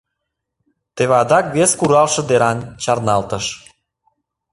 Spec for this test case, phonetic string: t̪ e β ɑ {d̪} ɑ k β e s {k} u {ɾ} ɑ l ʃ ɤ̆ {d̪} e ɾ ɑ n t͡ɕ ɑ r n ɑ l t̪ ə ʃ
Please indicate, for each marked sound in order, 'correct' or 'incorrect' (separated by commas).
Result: correct, correct, correct, correct